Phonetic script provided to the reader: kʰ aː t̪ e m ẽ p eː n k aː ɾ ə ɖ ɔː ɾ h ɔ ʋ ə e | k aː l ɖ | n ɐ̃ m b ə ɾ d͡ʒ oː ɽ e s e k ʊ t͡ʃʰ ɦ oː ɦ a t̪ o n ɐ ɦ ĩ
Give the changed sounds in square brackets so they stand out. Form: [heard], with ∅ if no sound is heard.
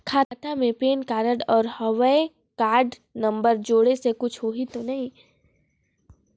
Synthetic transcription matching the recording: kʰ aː t̪ [a] m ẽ p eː n k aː ɾ ə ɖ ɔː ɾ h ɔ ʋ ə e | k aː [ɾ] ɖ | n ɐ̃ m b ə ɾ d͡ʒ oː ɽ e s e k ʊ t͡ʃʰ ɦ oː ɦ [i] t̪ o n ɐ ɦ ĩ

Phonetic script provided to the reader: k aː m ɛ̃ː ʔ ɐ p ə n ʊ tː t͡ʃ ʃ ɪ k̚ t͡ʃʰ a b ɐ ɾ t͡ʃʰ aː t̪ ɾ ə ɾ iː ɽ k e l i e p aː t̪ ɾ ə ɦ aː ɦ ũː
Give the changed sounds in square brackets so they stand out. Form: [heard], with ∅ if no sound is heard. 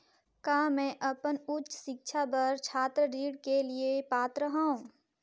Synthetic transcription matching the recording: k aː m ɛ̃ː ʔ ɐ p ə n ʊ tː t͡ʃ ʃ ɪ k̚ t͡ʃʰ a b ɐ ɾ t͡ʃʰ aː t̪ ɾ ə ɾ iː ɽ k e l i e p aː t̪ ɾ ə ɦ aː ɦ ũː

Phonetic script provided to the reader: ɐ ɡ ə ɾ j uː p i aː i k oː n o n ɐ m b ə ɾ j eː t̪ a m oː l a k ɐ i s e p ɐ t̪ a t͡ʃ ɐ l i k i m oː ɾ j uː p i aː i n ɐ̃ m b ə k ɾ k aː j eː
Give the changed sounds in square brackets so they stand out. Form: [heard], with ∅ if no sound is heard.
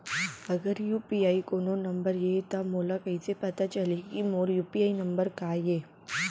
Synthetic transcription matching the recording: ɐ ɡ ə ɾ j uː p i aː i k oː n o n ɐ m b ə ɾ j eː t̪ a m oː l a k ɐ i s e p ɐ t̪ a t͡ʃ ɐ l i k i m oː ɾ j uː p i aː i n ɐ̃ m b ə [∅] ɾ k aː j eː

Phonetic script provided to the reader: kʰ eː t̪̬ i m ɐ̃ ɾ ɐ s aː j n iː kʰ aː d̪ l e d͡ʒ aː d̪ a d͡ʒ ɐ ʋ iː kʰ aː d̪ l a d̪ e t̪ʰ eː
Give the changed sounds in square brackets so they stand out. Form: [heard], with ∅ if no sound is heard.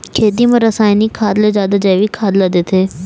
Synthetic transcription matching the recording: kʰ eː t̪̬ i m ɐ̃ ɾ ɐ s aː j n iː kʰ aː d̪ l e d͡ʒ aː d̪ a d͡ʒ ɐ ʋ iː kʰ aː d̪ l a d̪ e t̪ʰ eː

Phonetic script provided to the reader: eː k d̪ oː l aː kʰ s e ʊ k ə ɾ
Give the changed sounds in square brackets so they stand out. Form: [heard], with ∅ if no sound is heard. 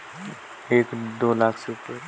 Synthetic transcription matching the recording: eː k d̪ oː l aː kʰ s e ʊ [p] ə ɾ

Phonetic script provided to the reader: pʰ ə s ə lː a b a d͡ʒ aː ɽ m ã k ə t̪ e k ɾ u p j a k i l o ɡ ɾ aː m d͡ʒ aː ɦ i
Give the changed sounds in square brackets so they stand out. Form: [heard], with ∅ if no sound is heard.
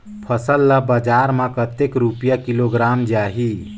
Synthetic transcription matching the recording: pʰ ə s ə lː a b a d͡ʒ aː [ɾ] m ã k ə t̪ e k ɾ u p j a k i l o ɡ ɾ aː m d͡ʒ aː ɦ i

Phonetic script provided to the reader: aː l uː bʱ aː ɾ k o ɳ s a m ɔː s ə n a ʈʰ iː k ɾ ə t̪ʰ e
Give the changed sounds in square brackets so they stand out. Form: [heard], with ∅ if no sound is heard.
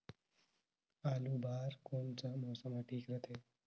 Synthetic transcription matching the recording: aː l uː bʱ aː ɾ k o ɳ [t͡s] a m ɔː s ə [m] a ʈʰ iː k ɾ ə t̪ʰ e

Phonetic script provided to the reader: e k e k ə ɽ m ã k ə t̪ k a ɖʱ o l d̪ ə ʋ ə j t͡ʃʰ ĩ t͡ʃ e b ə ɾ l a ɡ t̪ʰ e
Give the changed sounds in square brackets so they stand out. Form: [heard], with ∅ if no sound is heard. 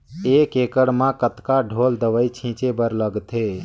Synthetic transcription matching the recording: e k e k ə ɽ m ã k ə t̪ k a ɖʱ o l d̪ ə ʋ ə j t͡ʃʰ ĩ t͡ʃ e b ə ɾ l [ə] ɡ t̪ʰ e

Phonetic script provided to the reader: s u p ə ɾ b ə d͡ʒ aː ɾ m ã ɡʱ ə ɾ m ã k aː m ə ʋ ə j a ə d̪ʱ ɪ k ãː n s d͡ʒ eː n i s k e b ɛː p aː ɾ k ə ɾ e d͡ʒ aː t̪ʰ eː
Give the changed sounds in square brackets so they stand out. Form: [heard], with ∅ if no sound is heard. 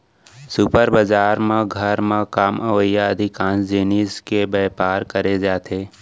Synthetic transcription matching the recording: s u p ə ɾ b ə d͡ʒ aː ɾ m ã ɡʱ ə ɾ m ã k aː m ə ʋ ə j a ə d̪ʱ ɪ k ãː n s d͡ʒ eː n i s k e b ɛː p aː ɾ k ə ɾ e d͡ʒ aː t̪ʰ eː

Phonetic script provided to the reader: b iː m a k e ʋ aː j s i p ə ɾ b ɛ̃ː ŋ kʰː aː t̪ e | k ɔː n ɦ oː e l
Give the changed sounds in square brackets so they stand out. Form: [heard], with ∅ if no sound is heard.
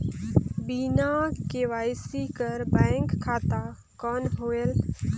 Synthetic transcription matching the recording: b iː [n] a k e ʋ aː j s i [k] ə ɾ b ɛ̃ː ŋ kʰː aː t̪ [a] | k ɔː n ɦ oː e l

